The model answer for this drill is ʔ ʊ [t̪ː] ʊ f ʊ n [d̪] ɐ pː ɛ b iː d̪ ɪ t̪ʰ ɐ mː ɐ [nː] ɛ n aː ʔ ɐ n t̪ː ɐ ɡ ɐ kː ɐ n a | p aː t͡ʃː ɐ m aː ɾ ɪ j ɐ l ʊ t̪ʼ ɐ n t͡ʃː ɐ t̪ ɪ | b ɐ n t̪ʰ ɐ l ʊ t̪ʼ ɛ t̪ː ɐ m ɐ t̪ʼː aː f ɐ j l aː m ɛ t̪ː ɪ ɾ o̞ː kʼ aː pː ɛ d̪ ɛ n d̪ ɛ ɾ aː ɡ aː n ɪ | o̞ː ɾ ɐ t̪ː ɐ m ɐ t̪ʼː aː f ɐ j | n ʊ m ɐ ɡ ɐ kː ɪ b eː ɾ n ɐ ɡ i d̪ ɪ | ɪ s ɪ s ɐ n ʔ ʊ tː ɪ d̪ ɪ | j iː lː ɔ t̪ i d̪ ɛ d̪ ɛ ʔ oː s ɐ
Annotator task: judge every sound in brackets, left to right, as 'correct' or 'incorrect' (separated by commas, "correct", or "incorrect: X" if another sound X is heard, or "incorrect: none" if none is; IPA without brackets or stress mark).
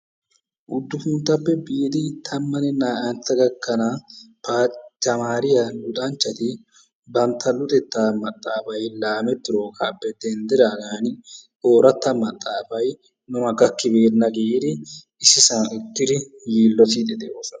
incorrect: d̪ː, incorrect: t̪, incorrect: n